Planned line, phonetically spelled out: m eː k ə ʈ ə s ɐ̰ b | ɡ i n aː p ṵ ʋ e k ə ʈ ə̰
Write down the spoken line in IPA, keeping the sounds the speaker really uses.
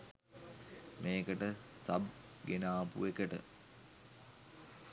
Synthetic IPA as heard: m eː k ə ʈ ə s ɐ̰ b | ɡ e n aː p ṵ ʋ e k ə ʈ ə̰